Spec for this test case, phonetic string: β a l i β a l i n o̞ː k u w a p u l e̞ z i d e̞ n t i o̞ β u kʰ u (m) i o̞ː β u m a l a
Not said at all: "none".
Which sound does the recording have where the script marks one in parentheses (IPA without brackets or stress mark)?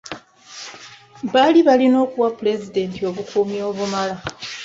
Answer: m